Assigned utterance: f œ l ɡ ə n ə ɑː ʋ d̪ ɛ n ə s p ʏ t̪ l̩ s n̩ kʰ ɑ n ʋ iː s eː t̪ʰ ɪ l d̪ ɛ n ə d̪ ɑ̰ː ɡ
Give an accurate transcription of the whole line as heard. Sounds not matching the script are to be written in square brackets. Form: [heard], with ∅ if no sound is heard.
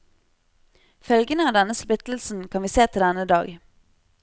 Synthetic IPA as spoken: f œ l ɡ ə n ə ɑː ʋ d̪ ɛ n ə s p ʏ t̪ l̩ s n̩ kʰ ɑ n ʋ iː s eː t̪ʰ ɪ l d̪ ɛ n ə d̪ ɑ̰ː ɡ